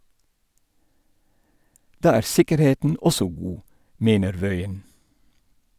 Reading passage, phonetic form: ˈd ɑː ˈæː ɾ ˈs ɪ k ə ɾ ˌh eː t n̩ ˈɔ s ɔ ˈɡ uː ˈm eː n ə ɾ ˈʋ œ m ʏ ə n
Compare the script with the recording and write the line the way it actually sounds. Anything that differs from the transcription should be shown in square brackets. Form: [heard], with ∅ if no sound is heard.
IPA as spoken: ˈd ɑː ˈæː ɾ ˈs ɪ k ə ɾ ˌh eː t n̩ ˈɔ s ɔ ˈɡ uː ˈm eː n ə ɾ ˈʋ œ [∅] ʏ ə n